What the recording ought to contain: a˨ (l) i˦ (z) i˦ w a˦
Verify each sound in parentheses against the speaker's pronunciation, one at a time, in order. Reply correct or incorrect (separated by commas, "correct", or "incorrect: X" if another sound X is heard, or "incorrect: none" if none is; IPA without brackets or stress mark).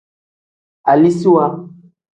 correct, incorrect: s